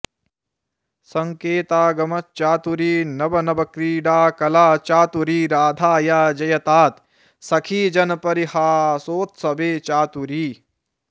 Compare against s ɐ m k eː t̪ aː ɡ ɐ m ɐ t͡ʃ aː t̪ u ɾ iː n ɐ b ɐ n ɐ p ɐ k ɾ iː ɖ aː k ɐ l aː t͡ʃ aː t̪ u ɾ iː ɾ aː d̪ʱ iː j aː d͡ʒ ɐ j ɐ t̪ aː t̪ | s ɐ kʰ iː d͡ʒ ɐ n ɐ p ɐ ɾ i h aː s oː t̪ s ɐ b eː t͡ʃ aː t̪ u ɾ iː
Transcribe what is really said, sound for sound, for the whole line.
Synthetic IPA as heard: s ɐ ŋ k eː t̪ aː ɡ ɐ m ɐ t͡ʃ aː t̪ u ɾ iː n ɐ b ɐ n ɐ b ɐ k ɾ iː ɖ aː k ɐ l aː t͡ʃ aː t̪ u ɾ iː ɾ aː d̪ʱ aː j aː d͡ʒ ɐ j ɐ t̪ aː t̪ | s ɐ kʰ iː d͡ʒ ɐ n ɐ p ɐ ɾ i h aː s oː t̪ s ɐ b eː t͡ʃ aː t̪ u ɾ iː